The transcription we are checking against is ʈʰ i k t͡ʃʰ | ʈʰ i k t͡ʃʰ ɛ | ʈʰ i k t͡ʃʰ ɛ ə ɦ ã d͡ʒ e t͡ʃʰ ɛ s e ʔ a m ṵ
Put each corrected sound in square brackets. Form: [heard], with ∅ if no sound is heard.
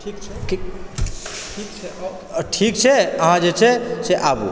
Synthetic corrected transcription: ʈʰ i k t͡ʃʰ | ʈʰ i k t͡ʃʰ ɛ | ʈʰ i k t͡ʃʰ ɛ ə ɦ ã d͡ʒ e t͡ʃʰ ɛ s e ʔ a [b] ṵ